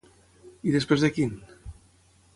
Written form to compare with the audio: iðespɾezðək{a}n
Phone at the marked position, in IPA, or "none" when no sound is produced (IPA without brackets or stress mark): i